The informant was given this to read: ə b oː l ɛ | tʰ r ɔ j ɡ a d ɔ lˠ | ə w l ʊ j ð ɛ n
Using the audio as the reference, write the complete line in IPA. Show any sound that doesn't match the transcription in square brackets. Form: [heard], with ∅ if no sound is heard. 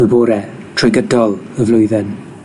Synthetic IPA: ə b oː [ɾ] ɛ | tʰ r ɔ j ɡ [ə] d ɔ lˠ | ə [v] l ʊ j ð ɛ n